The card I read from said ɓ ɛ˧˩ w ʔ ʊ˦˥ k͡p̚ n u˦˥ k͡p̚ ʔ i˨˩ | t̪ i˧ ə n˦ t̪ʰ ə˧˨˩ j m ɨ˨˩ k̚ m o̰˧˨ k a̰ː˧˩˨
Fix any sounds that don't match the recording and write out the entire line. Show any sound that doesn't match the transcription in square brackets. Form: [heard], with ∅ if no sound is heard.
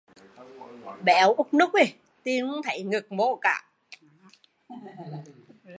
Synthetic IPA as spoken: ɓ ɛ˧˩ w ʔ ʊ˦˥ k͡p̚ n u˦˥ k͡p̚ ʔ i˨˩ | t̪ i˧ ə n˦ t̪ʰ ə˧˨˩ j [ŋ] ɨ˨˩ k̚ m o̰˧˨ k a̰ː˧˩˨